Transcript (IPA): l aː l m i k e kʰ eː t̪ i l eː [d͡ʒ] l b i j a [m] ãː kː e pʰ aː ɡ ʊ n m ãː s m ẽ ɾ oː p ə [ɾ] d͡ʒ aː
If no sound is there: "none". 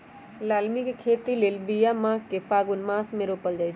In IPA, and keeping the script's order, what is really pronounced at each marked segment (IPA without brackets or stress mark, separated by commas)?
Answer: none, m, l